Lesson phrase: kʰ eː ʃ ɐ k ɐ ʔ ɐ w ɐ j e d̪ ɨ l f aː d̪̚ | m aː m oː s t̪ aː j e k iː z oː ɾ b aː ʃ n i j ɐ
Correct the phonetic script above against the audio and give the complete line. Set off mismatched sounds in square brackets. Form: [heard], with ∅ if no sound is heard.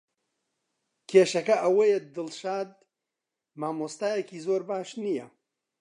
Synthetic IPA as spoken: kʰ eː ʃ ɐ k ɐ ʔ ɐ w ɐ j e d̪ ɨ l [ʃ] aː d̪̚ | m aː m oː s t̪ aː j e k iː z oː ɾ b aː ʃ n i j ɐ